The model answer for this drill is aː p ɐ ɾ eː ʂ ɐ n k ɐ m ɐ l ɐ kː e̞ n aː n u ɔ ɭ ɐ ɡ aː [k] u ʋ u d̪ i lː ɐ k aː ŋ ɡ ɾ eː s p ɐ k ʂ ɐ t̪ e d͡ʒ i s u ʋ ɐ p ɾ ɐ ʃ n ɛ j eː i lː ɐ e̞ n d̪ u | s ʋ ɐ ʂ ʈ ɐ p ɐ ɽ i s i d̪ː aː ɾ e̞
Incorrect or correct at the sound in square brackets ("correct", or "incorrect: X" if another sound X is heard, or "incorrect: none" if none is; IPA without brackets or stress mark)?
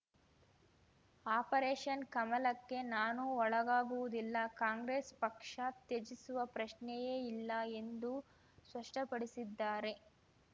incorrect: ɡ